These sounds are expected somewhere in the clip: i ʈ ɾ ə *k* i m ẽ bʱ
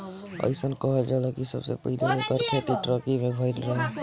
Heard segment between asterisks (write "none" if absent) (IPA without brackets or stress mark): k